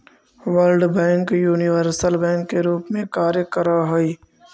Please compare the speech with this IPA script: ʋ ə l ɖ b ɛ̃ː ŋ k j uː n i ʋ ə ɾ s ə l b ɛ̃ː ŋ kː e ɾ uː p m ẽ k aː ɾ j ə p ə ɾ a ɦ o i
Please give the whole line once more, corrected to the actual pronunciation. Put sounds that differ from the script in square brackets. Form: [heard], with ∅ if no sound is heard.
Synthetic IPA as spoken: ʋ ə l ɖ b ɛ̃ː ŋ k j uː n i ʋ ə ɾ s ə l b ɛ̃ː ŋ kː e ɾ uː p m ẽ k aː ɾ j ə [k] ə ɾ a ɦ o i